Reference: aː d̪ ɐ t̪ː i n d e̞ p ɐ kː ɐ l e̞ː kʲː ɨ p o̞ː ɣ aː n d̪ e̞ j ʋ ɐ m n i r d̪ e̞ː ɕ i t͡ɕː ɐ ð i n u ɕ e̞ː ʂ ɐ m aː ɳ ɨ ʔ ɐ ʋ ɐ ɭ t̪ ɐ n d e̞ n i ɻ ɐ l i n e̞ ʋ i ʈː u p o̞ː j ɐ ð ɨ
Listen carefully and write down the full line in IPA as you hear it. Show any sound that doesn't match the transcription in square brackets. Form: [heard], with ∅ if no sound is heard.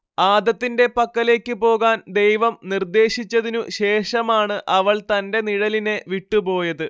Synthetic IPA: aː d̪ ɐ t̪ː i n d e̞ p ɐ kː ɐ l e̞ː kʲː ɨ p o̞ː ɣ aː n d̪ e̞ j ʋ ɐ m n i r d̪ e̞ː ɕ i t͡ɕː ɐ ð i n u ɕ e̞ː ʂ ɐ m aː ɳ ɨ ʔ ɐ ʋ ɐ ɭ t̪ ɐ n d e̞ n i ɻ ɐ l i n e̞ ʋ i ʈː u p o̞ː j ɐ ð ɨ